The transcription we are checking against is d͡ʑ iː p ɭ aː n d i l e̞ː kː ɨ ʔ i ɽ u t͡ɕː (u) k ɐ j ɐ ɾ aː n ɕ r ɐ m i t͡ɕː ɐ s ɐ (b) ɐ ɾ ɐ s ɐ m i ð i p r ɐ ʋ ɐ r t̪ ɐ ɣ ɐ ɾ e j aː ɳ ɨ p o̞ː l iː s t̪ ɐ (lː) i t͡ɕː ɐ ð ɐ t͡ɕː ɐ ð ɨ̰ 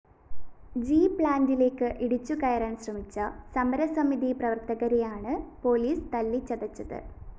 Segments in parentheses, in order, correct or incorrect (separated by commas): correct, incorrect, correct